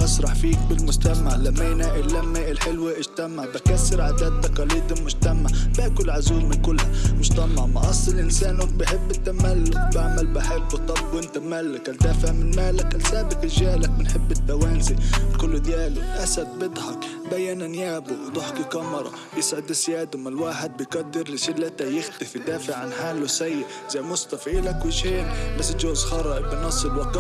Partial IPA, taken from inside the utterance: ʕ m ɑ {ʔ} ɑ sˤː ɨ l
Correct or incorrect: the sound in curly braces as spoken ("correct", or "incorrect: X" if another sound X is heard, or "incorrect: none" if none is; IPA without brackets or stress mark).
correct